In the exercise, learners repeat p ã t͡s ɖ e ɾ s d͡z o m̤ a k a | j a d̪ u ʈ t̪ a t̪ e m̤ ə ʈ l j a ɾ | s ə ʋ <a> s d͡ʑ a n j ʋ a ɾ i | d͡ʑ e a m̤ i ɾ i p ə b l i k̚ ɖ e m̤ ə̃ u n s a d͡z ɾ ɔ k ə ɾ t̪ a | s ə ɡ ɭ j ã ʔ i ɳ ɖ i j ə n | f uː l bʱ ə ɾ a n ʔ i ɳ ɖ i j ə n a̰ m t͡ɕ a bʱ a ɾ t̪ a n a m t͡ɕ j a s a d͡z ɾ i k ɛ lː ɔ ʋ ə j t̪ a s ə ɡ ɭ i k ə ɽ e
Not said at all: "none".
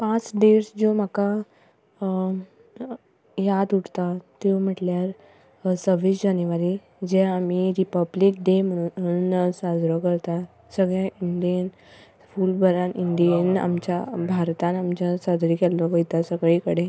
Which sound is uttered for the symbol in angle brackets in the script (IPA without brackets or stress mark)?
i